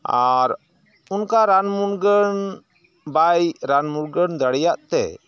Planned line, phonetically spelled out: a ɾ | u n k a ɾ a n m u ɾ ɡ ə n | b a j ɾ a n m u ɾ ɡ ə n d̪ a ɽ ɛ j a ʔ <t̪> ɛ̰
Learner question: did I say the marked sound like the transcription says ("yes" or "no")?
yes